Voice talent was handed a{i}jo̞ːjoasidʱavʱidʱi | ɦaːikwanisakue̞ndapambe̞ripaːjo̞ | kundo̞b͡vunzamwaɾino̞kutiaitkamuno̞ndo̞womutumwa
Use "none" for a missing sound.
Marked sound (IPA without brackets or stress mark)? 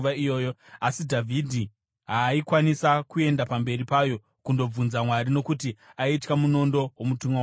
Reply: i